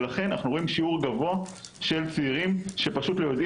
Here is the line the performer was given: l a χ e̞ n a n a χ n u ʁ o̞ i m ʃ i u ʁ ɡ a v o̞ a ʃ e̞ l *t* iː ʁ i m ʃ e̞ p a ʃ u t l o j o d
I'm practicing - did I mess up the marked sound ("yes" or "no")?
yes